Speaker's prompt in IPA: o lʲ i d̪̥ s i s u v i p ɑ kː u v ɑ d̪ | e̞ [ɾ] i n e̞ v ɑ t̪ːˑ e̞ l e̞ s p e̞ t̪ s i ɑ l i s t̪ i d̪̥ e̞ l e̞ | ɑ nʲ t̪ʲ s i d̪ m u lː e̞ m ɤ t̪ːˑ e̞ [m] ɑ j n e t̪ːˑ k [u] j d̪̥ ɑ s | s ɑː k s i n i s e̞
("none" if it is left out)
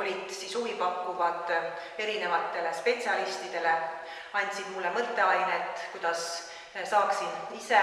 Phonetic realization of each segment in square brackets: ɾ, none, u

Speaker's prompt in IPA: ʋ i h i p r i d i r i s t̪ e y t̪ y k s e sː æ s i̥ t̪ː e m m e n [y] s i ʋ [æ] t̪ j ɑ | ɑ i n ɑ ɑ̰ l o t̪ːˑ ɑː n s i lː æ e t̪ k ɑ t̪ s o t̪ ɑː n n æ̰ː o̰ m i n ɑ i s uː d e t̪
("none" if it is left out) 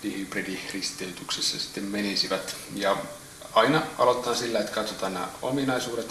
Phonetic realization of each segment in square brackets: i, æ

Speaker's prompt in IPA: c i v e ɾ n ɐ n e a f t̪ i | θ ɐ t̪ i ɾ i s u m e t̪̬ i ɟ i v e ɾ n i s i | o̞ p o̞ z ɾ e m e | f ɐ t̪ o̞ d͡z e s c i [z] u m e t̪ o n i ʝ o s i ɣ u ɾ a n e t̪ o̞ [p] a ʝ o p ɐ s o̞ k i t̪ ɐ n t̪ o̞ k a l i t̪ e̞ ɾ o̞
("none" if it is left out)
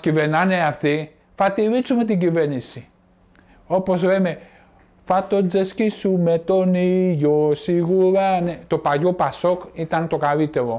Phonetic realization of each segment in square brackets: s, p

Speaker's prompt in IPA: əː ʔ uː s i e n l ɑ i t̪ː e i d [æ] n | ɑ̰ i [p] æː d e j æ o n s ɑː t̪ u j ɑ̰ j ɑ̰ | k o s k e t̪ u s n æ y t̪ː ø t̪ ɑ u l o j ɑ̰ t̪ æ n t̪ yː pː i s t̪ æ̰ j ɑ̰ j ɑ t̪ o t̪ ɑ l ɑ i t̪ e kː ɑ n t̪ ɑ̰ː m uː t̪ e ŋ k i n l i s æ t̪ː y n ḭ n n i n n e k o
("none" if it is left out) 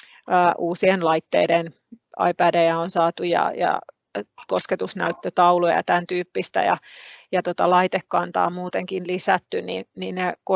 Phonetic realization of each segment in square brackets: e, p

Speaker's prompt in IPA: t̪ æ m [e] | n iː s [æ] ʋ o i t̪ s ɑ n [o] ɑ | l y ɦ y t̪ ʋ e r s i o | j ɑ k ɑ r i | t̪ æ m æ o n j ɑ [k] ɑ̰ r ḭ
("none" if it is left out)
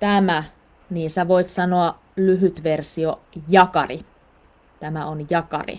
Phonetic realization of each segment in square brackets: æ, æ, o, k

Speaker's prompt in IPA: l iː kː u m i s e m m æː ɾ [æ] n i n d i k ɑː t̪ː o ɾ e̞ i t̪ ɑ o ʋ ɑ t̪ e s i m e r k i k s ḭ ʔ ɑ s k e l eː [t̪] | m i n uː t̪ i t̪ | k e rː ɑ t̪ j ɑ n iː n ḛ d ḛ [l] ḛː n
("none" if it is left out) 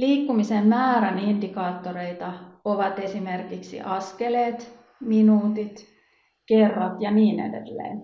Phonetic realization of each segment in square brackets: æ, t̪, lː

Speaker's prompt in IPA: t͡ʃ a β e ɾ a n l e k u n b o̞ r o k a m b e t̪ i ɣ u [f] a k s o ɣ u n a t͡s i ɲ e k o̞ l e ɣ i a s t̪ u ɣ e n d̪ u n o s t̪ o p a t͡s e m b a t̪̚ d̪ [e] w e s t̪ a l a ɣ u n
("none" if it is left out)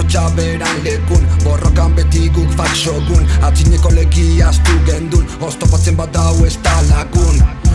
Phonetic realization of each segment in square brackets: f, a

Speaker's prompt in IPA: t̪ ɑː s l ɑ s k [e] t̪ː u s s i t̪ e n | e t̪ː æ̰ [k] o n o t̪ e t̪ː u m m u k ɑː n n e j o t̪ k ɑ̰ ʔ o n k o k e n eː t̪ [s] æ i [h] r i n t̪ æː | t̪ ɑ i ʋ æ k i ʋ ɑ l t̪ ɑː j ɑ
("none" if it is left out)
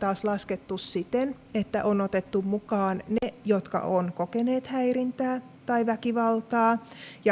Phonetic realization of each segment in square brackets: e, ʔ, h, none

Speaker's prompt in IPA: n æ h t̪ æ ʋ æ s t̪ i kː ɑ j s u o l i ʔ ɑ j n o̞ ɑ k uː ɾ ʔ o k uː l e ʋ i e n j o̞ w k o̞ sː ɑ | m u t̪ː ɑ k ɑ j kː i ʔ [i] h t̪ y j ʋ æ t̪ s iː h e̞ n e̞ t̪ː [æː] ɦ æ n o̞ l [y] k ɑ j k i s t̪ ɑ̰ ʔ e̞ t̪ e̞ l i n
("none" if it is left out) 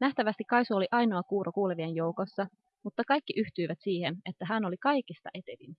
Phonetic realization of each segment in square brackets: y, æ, i

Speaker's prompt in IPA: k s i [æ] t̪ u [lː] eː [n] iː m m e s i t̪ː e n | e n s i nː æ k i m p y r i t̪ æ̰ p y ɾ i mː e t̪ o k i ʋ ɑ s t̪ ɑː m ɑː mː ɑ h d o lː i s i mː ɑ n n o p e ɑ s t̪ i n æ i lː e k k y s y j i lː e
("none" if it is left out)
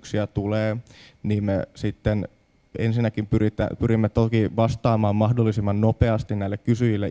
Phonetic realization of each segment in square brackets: æ, l, n

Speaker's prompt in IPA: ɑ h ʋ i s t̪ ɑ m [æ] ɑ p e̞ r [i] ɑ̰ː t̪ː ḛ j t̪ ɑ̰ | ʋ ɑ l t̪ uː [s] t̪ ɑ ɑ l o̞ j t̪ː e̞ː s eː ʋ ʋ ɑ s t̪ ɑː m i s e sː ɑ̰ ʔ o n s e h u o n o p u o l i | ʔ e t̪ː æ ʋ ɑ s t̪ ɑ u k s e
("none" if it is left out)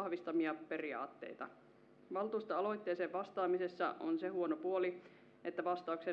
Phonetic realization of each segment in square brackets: i, i, s

